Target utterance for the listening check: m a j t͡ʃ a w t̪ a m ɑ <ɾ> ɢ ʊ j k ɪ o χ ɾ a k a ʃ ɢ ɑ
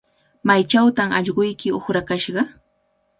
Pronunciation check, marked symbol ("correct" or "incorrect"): incorrect